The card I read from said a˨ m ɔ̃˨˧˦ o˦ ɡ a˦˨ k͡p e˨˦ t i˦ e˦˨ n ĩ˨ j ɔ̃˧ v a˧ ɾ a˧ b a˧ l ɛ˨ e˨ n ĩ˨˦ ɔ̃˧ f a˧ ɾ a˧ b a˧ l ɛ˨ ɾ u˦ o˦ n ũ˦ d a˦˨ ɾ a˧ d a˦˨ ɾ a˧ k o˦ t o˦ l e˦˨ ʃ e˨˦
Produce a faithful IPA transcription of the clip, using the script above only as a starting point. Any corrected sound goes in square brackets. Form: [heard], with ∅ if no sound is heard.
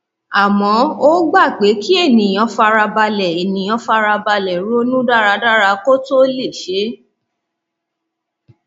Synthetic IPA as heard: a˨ m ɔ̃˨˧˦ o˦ [ɡ͡b] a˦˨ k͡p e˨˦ [k] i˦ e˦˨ n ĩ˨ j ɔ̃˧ [f] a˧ ɾ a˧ b a˧ l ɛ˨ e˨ n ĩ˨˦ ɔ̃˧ f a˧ ɾ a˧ b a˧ l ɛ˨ ɾ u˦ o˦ n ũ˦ d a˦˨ ɾ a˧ d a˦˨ ɾ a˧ k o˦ t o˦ l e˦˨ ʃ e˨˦